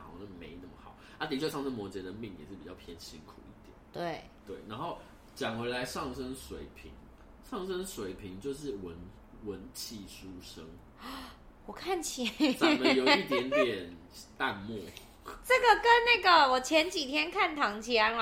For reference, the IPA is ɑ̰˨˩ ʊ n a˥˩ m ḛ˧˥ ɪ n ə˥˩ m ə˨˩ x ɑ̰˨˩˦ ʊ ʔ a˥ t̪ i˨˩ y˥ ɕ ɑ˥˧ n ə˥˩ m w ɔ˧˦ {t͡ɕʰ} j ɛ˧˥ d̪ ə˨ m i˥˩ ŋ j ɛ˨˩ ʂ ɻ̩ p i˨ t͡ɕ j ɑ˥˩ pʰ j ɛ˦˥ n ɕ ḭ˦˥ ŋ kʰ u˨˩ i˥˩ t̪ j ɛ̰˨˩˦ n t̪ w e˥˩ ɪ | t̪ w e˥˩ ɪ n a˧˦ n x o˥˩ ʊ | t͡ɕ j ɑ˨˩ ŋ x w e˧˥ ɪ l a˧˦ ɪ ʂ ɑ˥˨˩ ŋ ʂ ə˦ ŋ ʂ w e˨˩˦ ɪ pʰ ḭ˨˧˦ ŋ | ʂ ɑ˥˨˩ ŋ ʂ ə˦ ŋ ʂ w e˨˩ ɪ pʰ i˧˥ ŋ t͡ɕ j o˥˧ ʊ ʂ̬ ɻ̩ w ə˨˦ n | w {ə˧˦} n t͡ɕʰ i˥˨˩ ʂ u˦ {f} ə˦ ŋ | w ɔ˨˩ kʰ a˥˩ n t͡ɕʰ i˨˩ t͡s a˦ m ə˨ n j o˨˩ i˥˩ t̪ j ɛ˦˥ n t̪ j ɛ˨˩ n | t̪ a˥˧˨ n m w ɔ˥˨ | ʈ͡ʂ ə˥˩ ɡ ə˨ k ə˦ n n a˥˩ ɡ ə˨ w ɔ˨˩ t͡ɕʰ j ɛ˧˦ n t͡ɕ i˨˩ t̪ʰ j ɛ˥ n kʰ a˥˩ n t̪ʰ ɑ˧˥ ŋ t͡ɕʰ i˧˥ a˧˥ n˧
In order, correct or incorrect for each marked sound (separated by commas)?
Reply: incorrect, correct, incorrect